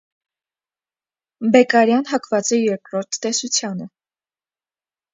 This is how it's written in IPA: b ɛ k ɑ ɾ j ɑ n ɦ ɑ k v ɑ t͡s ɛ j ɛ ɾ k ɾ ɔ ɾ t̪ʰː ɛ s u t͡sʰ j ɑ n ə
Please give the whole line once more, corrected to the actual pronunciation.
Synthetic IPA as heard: b ɛ k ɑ ɾ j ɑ n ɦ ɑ k v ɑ t͡s ɛ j ɛ ɾ k ɾ ɔ ɾ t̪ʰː ɛ s u t͡sʰ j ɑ n ə